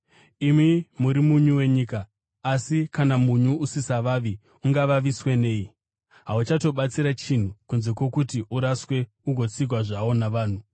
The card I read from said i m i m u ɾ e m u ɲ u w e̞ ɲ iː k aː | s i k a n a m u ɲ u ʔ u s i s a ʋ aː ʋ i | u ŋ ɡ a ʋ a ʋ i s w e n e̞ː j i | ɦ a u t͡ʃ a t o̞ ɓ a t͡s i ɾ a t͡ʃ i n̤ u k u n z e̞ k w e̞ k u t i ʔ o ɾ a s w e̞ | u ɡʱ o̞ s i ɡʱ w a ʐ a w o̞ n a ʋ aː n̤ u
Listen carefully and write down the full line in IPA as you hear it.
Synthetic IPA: i m i m u ɾ i m u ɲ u w e̞ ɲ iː k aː | s i k a n a m u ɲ u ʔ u s i s a ʋ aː ʋ i | u ŋ ɡ a ʋ a ʋ i s w e n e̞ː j i | ɦ a u t͡ʃ a t o̞ ɓ a t͡s i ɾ a t͡ʃ i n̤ u k u n z e̞ k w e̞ k u t i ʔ u ɾ a s w e̞ | u ɡʱ o̞ t͡s i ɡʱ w a ʐ a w o̞ n a ʋ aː n̤ u